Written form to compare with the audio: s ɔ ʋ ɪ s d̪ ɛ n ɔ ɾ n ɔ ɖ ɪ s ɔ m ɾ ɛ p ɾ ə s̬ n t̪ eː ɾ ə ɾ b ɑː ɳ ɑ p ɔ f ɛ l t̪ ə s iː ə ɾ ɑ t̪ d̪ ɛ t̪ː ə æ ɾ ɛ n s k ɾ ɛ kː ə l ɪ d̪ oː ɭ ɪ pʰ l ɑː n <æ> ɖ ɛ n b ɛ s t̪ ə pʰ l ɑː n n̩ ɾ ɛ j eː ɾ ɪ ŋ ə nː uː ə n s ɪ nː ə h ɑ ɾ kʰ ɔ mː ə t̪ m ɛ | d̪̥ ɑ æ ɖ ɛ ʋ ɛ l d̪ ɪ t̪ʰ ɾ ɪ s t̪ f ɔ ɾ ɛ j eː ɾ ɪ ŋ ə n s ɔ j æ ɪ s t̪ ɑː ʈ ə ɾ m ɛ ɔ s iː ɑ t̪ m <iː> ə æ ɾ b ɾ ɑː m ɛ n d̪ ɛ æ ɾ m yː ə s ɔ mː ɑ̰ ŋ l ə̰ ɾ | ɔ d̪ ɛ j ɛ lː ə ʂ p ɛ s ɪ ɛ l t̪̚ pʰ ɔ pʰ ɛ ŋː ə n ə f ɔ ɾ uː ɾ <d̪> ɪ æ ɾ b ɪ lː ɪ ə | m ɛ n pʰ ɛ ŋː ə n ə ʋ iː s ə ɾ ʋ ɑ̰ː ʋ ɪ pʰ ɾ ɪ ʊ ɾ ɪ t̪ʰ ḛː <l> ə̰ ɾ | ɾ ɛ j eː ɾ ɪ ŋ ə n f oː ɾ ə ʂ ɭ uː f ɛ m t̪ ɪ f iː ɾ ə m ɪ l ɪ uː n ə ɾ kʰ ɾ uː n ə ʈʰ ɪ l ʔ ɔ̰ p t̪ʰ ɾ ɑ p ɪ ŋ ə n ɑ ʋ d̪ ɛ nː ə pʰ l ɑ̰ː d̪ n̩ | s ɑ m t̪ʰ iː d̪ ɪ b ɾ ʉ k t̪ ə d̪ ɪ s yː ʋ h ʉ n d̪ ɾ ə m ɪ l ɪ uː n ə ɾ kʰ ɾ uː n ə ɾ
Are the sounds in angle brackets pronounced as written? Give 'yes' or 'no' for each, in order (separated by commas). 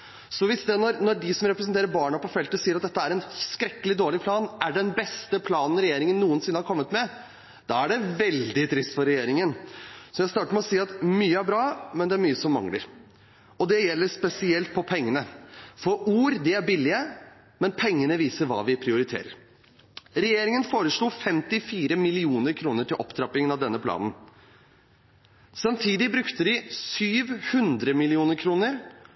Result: yes, no, yes, no